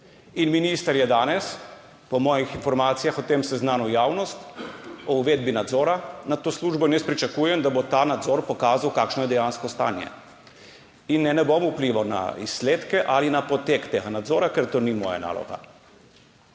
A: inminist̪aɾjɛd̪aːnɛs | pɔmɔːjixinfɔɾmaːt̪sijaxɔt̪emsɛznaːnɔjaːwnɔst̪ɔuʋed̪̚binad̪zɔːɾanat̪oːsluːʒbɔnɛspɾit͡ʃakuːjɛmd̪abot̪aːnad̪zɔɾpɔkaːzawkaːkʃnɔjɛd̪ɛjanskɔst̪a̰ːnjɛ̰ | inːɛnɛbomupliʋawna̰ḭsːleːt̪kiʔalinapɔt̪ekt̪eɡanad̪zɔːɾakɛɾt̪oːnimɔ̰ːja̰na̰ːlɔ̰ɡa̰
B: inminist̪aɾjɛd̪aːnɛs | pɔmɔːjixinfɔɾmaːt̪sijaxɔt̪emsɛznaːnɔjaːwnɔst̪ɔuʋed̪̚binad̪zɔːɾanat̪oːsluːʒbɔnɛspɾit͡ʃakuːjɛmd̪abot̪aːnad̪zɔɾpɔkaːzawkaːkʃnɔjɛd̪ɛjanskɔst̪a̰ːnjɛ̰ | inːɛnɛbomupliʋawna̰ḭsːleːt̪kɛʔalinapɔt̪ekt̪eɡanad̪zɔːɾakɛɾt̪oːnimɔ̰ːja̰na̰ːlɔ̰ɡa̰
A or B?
B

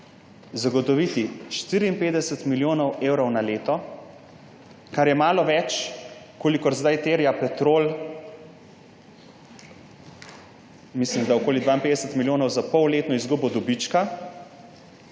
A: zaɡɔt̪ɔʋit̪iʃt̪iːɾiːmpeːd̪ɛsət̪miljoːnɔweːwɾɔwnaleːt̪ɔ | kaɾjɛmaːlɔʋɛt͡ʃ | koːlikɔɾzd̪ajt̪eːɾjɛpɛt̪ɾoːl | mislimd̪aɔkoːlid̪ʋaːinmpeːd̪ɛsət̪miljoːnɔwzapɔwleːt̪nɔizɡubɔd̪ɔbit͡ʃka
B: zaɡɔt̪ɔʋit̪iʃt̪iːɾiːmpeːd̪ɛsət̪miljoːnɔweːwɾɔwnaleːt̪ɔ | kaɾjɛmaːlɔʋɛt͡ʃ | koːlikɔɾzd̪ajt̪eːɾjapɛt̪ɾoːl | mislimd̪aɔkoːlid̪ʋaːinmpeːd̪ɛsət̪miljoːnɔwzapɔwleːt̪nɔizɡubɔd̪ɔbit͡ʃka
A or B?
B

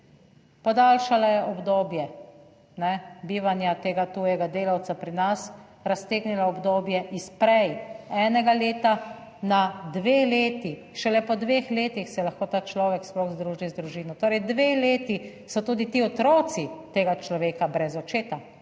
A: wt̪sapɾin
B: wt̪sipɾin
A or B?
A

